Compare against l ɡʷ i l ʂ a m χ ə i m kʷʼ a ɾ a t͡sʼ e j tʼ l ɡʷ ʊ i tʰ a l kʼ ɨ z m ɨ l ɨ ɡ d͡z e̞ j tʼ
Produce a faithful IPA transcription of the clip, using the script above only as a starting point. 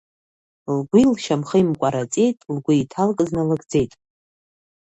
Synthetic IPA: l ɡʷ i l ʃ a m χ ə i m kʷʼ a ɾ a t͡sʼ e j tʼ l ɡʷ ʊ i tʰ a l kʼ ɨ z n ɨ l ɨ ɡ d͡z e̞ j tʼ